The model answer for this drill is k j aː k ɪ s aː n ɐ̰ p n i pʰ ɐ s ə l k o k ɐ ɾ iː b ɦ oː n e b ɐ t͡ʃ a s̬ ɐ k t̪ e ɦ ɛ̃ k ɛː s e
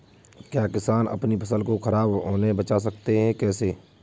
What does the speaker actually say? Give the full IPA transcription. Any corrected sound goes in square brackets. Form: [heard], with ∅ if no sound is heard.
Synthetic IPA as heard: k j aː k ɪ s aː n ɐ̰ p n i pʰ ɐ s ə l k o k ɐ ɾ [aː] b ɦ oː n e b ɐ t͡ʃ a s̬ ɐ k t̪ e ɦ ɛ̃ k ɛː s e